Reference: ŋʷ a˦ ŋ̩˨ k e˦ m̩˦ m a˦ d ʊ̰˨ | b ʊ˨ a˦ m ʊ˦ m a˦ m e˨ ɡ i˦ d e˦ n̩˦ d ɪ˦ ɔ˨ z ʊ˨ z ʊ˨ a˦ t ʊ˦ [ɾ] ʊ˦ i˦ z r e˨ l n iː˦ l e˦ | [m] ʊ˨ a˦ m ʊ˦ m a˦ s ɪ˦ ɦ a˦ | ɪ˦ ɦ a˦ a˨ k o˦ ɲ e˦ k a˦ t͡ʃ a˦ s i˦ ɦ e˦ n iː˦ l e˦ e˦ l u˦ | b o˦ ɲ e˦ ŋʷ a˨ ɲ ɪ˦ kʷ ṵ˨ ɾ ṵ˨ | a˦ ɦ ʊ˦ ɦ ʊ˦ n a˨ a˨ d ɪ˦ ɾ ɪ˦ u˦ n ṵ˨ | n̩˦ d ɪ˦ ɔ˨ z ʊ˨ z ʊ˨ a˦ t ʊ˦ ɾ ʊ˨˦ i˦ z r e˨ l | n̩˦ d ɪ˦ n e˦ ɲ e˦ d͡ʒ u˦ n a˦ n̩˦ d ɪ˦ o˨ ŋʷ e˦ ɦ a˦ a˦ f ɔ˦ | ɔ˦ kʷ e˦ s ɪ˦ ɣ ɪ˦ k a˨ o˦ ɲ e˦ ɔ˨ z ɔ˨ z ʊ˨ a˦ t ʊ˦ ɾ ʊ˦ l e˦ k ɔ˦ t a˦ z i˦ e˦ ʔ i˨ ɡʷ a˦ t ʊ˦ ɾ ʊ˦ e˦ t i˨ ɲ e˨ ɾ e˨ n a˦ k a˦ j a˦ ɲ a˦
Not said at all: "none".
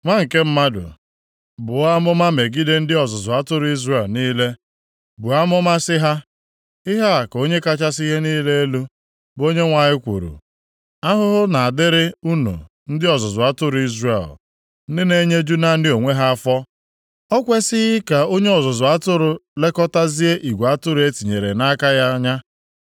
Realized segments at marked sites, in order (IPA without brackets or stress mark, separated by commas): ɾ, b